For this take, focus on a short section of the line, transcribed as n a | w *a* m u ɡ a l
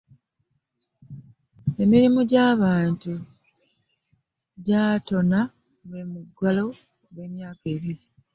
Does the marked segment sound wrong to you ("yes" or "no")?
yes